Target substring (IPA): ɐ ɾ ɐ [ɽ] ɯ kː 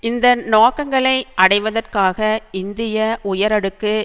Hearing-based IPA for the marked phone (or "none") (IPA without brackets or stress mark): ɽ